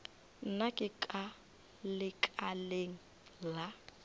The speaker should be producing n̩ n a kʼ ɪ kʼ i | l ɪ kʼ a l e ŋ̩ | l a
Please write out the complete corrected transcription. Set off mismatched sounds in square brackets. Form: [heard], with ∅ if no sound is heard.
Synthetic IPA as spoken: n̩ n a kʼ ɪ kʼ [a] | l ɪ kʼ a l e ŋ̩ | l a